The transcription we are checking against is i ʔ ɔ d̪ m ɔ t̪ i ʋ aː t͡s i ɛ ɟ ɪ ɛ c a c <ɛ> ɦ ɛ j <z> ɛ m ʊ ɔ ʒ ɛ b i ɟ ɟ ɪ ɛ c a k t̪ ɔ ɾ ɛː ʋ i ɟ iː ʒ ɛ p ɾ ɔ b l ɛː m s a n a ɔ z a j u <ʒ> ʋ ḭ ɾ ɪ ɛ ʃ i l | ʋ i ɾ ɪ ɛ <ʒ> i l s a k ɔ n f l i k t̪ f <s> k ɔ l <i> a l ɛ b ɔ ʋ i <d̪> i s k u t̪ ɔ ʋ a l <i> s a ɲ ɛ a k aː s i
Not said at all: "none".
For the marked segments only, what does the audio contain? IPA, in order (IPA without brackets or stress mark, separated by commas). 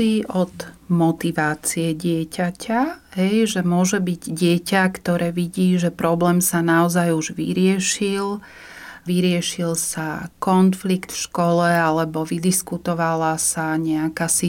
a, ʒ, ʒ, ʃ, ʃ, ɛ, d̪, a